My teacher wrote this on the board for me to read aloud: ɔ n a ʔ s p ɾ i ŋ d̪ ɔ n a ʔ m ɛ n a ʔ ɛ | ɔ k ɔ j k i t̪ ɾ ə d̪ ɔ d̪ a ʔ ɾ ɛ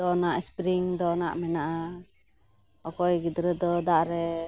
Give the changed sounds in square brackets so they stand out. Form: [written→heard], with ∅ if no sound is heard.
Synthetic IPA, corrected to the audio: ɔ n a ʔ s p ɾ i ŋ d̪ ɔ n a ʔ m ɛ n a ʔ [ɛ→a] | ɔ k ɔ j [k→ɡ] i [t̪→d̪] ɾ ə d̪ ɔ d̪ a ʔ ɾ ɛ